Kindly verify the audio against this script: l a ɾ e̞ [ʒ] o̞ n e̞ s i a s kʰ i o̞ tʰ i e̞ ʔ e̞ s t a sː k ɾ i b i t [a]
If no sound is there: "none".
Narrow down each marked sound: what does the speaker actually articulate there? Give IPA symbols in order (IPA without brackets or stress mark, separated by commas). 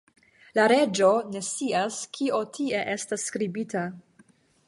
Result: d͡ʒ, a